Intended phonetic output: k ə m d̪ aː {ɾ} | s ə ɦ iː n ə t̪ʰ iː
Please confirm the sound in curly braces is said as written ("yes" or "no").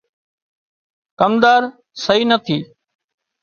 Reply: yes